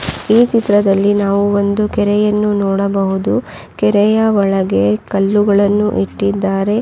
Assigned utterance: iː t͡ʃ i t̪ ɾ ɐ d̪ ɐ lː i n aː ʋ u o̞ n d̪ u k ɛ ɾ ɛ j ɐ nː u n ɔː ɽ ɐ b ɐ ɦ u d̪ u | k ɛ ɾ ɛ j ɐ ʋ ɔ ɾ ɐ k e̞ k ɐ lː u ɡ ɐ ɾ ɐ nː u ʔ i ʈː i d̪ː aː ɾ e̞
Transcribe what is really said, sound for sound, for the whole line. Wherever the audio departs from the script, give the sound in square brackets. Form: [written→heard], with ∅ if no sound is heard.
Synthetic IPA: iː t͡ʃ i t̪ ɾ ɐ d̪ ɐ lː i n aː ʋ u o̞ n d̪ u k ɛ ɾ ɛ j ɐ nː u n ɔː ɽ ɐ b ɐ ɦ u d̪ u | k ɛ ɾ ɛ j ɐ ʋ ɔ [ɾ→ɭ] ɐ [k→ɡ] e̞ k ɐ lː u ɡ ɐ [ɾ→ɭ] ɐ nː u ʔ i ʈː i d̪ː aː ɾ e̞